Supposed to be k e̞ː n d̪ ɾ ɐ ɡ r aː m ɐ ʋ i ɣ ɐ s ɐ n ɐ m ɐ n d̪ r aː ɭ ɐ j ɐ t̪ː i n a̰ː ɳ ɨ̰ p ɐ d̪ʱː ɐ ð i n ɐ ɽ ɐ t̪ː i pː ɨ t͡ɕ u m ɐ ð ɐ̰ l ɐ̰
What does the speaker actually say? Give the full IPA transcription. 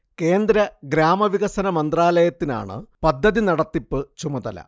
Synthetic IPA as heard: k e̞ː n d̪ ɾ ɐ ɡ ɾ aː m ɐ ʋ i ɣ ɐ s ɐ n ɐ m ɐ n d̪ r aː l ɐ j ɐ t̪ː i n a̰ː ɳ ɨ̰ p ɐ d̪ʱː ɐ ð i n ɐ ɽ ɐ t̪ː i pː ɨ t͡ɕ u m ɐ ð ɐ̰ l ɐ̰